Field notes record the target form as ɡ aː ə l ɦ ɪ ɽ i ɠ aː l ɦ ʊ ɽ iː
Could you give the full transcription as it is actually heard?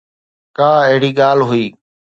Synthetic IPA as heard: k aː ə ɦ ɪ ɽ iː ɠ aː l ɦ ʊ iː